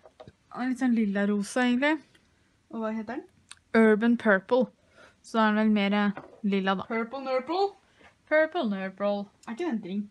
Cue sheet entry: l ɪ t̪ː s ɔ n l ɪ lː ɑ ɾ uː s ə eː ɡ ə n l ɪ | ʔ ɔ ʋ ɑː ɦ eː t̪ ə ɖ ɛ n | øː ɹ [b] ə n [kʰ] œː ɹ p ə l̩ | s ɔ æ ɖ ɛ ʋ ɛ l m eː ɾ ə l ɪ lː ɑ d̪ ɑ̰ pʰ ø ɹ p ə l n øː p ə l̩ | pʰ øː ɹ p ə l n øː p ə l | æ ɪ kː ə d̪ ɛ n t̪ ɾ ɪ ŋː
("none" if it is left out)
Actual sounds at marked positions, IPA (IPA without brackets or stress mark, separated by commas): b, pʰ